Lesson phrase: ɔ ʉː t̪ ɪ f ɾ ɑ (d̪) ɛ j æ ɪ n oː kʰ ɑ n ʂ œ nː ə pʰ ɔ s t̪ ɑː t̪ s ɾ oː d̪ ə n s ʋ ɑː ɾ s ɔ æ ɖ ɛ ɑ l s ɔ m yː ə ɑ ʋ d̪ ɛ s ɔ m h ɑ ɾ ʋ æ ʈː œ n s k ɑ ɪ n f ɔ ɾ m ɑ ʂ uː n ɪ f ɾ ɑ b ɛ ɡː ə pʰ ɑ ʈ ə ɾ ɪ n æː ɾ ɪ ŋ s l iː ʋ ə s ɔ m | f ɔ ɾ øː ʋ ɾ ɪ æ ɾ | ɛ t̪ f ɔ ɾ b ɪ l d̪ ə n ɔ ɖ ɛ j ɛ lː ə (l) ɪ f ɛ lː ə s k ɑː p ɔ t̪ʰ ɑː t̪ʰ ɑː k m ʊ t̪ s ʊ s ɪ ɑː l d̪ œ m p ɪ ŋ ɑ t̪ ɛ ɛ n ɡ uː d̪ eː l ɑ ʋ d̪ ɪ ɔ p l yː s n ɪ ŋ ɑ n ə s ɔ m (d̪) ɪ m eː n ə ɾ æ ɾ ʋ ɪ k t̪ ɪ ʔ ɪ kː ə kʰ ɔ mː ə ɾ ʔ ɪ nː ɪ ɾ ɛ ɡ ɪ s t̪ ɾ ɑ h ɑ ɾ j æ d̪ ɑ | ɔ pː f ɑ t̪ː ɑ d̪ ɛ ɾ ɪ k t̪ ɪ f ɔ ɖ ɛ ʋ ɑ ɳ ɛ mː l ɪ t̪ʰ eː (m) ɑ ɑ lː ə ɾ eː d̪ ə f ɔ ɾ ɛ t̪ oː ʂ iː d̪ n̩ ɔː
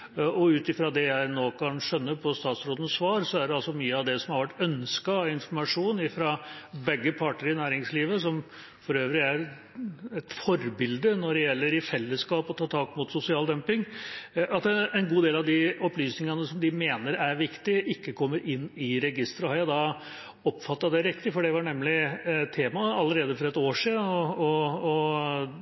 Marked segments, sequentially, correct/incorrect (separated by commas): correct, incorrect, correct, correct